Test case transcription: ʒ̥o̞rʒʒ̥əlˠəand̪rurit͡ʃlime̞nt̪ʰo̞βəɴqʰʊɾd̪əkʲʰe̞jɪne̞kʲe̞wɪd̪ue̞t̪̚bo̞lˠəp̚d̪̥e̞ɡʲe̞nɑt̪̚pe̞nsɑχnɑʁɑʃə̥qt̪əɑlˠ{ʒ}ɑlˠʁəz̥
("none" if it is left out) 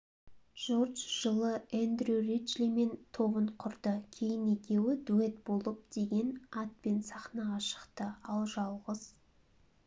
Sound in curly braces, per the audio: ʒ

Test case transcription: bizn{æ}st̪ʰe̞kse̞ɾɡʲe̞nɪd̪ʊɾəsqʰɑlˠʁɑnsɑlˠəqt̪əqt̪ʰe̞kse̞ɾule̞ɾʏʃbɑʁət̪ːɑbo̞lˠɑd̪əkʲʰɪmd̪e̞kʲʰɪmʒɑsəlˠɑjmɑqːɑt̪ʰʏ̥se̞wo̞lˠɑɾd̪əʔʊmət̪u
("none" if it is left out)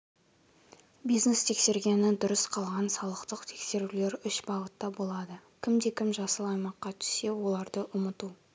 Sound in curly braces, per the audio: e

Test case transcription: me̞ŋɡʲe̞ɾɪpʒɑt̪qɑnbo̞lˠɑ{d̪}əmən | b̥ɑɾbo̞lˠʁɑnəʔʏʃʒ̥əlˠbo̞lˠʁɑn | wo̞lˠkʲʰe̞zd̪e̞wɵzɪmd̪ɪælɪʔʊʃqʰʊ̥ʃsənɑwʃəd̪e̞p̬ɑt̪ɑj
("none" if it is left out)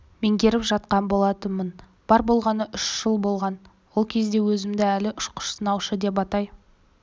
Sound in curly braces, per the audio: t̪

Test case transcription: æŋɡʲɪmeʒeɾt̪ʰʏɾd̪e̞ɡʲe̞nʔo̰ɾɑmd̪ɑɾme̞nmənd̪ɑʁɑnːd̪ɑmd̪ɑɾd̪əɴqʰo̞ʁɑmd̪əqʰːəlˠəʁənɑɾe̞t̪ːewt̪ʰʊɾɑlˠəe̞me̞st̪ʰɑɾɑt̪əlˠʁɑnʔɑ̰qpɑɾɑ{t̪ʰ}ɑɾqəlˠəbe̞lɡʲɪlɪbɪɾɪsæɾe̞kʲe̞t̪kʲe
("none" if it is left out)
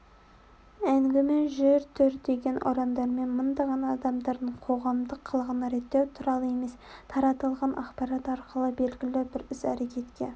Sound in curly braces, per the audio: t̪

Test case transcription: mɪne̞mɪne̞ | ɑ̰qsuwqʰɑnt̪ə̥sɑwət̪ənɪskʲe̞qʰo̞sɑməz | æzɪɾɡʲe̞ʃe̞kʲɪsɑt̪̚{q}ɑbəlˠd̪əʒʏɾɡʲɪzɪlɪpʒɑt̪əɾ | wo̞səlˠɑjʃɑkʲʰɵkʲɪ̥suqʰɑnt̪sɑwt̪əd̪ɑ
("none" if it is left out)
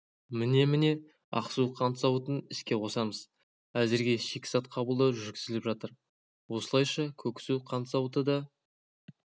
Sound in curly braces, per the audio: qʰ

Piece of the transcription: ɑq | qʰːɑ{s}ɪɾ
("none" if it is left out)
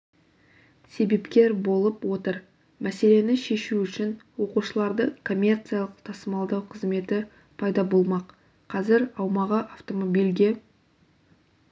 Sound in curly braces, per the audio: z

